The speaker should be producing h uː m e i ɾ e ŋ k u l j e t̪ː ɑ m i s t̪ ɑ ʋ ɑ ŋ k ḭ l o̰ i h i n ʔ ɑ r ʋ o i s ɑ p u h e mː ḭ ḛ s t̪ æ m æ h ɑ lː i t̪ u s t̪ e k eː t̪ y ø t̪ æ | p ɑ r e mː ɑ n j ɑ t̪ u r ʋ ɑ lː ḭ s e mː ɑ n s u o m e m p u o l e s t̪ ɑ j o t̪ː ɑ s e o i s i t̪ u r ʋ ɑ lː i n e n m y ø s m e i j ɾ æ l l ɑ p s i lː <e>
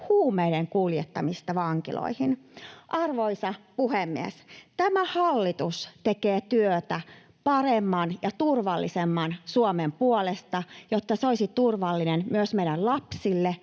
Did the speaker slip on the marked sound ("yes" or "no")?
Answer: no